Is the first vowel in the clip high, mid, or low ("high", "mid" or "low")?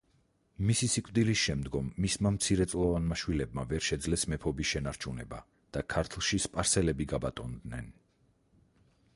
high